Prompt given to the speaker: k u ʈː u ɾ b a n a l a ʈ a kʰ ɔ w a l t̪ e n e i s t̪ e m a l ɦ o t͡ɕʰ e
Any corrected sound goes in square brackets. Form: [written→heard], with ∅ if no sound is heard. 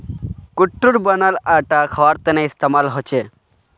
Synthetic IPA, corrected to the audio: k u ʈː u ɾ b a n a l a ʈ a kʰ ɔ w a [l→ɾ] t̪ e n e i s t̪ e m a l ɦ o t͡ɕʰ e